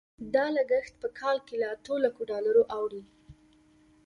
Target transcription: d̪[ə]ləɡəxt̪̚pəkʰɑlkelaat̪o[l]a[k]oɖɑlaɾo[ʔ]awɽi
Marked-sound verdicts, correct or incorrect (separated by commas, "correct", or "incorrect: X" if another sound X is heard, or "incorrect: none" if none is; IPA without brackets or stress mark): incorrect: ɑ, correct, correct, correct